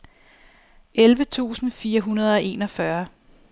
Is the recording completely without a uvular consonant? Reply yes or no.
yes